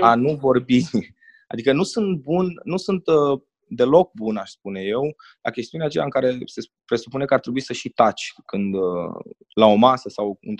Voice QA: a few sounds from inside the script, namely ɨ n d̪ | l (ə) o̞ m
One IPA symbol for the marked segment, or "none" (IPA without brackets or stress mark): a